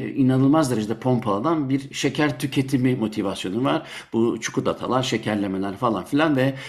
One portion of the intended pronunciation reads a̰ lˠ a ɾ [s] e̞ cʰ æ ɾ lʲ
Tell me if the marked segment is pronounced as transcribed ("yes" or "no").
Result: no